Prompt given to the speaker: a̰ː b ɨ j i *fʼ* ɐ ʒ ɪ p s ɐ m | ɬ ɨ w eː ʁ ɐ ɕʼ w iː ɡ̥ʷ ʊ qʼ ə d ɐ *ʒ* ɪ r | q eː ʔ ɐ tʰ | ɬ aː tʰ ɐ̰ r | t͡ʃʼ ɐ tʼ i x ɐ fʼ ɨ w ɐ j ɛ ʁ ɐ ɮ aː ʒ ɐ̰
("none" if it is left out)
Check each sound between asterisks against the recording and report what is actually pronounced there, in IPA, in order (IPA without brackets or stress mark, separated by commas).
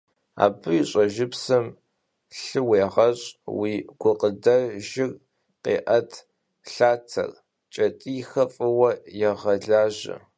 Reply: ɕʼ, ʒ